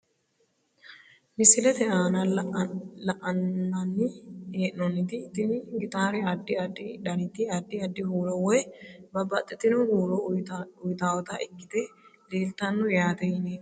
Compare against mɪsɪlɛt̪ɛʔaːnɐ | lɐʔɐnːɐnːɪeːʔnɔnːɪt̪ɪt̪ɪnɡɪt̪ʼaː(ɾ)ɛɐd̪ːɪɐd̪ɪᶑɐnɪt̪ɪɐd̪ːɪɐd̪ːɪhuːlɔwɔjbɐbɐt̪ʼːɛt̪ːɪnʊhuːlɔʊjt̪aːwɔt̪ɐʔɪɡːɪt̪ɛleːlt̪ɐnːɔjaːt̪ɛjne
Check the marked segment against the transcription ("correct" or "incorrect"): correct